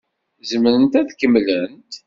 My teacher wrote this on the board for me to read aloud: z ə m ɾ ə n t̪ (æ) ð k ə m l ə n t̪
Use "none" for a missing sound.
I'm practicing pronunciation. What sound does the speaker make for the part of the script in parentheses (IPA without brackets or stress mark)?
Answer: æ